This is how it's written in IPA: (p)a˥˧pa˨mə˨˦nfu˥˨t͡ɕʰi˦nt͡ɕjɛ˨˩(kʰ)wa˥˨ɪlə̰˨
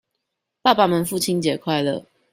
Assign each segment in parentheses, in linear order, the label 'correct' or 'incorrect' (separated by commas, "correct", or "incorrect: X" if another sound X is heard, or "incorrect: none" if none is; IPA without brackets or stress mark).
correct, correct